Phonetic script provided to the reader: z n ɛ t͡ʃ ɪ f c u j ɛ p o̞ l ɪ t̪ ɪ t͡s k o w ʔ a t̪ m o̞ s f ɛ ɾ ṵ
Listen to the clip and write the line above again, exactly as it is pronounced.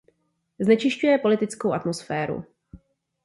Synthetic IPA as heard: z n ɛ t͡ʃ ɪ ʃ c u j ɛ p o̞ l ɪ t̪ ɪ t͡s k o w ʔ a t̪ m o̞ s f ɛː ɾ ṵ